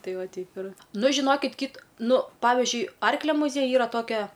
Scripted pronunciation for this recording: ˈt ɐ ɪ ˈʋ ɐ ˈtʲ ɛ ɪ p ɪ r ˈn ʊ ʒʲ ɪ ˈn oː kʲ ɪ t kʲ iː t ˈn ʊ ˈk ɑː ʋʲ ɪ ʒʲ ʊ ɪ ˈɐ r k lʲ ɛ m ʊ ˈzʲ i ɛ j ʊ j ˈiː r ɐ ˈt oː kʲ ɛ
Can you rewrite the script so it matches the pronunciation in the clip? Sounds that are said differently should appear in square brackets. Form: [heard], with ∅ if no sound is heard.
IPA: ˈt ɐ ɪ ˈʋ ɐ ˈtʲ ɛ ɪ p ɪ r ˈn ʊ ʒʲ ɪ ˈn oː kʲ ɪ t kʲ iː t ˈn ʊ [ˈp] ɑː ʋʲ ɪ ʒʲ ʊ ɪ ˈɐ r k lʲ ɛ m ʊ ˈzʲ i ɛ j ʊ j ˈiː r ɐ ˈt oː kʲ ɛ

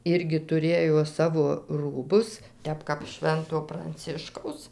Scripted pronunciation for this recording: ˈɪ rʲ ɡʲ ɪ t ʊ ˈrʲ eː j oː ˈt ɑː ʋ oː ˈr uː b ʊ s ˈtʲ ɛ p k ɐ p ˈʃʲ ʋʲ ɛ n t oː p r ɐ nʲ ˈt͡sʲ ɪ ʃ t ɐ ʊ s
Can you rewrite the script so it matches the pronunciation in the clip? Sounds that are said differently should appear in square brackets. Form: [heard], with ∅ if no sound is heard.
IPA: ˈɪ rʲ ɡʲ ɪ t ʊ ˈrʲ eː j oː [ˈs] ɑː ʋ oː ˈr uː b ʊ s ˈtʲ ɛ p k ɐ p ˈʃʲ ʋʲ ɛ n t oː p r ɐ nʲ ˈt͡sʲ ɪ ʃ [k] ɐ ʊ s

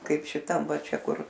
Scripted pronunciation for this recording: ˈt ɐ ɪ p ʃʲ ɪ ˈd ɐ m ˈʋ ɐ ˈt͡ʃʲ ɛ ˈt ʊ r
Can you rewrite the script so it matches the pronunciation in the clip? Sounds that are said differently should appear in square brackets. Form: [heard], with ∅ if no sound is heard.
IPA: [ˈk] ɐ ɪ p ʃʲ ɪ [ˈt] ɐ m ˈʋ ɐ ˈt͡ʃʲ ɛ [ˈk] ʊ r

